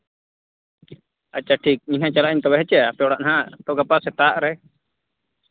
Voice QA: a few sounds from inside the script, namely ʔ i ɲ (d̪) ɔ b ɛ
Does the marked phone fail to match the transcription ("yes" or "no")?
yes